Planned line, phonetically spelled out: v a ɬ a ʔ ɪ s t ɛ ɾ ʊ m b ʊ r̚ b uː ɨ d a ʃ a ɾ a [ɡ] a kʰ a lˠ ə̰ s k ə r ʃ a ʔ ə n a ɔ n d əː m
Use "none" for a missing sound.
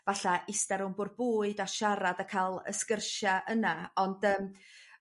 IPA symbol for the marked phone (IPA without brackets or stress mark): d